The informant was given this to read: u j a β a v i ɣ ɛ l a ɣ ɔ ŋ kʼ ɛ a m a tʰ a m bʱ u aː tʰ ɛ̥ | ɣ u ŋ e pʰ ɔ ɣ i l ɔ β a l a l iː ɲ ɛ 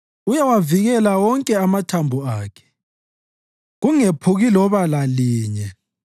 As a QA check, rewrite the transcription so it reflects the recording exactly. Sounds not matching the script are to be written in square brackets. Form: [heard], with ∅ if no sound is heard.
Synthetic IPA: u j a [w] a v i ɣ ɛ l a [w] ɔ ŋ kʼ ɛ a m a tʰ a m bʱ u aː [kʰ] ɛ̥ | ɣ u ŋ e pʰ [u] ɣ i l ɔ β a l a l iː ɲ ɛ